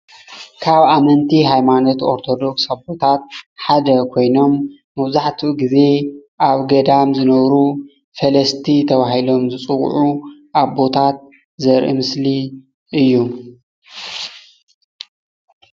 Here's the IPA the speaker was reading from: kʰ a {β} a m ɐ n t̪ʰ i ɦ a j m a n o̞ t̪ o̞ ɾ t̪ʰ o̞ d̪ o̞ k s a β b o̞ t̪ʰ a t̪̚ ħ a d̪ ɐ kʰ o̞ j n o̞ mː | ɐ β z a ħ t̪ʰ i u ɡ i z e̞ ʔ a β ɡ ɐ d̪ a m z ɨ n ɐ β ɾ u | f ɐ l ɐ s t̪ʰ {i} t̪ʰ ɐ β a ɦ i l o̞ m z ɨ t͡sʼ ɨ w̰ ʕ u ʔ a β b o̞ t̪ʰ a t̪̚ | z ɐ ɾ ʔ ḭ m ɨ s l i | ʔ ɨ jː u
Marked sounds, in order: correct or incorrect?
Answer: correct, correct

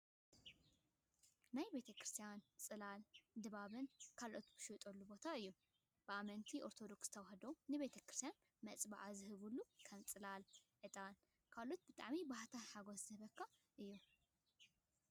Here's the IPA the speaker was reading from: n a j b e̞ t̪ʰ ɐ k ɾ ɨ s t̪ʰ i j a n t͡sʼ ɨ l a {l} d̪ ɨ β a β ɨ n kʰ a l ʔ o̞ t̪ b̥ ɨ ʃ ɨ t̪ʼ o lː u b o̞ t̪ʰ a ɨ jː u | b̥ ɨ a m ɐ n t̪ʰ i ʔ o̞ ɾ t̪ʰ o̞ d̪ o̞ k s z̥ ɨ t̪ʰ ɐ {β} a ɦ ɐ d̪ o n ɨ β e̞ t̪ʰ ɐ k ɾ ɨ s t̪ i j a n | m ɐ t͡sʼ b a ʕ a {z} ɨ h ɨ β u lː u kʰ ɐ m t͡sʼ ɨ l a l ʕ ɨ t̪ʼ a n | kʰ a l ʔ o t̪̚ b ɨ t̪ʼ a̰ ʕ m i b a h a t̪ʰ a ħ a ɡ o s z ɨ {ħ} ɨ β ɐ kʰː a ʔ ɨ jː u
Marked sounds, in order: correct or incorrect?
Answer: correct, incorrect, correct, incorrect

